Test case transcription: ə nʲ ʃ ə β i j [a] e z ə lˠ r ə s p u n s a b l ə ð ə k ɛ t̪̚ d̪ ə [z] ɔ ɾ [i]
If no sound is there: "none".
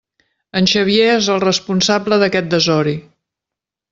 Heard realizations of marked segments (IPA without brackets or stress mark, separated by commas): e, z, i